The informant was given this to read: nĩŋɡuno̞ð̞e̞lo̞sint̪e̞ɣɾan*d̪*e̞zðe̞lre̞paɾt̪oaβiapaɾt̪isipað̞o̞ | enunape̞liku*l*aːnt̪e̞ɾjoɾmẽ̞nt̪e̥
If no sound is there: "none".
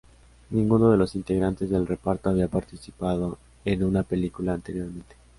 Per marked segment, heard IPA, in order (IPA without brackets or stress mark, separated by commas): t̪, l